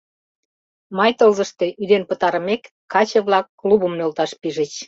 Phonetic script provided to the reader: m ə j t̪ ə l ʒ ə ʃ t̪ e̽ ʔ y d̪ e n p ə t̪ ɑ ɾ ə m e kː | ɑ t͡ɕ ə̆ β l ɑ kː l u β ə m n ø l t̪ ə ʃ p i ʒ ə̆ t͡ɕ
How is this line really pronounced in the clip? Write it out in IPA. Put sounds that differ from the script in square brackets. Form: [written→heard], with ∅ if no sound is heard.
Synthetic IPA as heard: m [ə→ɑ] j t̪ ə l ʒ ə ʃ t̪ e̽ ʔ y d̪ e n p ə t̪ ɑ ɾ ə m e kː | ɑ t͡ɕ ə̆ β l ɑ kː l u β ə m n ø l t̪ [ə→ɑ] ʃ p i ʒ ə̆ t͡ɕ

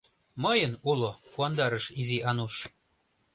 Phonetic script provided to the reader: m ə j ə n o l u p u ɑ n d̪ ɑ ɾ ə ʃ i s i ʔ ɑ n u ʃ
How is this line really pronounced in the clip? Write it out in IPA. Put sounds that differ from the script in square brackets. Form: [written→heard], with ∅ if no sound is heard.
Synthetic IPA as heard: m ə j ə n [o→u] l [u→o] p u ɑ n d̪ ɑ ɾ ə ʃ i [s→z] i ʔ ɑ n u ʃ

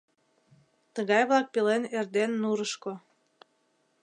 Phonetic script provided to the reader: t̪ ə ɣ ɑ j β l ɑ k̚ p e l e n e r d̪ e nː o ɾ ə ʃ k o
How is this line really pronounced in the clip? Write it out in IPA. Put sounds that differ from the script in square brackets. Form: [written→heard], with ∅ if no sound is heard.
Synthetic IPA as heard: t̪ ə ɣ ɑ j β l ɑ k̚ p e l e n e r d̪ e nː [o→u] ɾ ə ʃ k o

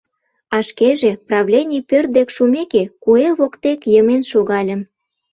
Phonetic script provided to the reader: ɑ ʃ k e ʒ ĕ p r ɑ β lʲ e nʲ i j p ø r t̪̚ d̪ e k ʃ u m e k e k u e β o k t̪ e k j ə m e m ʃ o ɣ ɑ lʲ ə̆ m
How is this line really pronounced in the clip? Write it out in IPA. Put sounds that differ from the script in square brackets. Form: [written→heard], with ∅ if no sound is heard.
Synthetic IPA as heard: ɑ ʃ k e ʒ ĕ p r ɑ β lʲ e nʲ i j p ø r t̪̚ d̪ e k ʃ u m e k e k u e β o k t̪ e k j ə m e [m→n] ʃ o ɣ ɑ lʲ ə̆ m

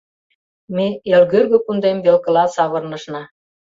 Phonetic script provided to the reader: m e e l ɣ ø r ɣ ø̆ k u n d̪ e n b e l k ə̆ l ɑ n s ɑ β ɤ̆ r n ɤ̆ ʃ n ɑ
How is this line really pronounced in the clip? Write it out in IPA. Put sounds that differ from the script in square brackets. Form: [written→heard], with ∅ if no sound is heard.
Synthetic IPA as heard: m e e l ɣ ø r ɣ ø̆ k u n d̪ e [n→m] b e l k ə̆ l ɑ [n→∅] s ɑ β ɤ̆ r n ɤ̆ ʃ n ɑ

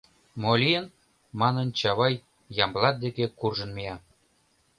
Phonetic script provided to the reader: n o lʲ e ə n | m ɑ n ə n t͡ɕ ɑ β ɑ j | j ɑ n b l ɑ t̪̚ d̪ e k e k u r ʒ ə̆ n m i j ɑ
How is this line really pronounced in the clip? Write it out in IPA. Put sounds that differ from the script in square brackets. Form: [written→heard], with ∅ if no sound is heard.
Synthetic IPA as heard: [n→m] o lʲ [e→i] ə n | m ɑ n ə n t͡ɕ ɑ β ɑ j | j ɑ [n→m] b l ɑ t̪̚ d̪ e k e k u r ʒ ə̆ n m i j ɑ

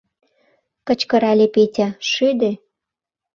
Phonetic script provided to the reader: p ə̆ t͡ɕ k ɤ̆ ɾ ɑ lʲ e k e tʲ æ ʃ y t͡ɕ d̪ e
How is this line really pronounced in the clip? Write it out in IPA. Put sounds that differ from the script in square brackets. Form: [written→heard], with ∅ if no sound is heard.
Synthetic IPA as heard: [p→k] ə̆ t͡ɕ k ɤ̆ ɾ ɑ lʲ e [k→p] e tʲ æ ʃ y [t͡ɕ→∅] d̪ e

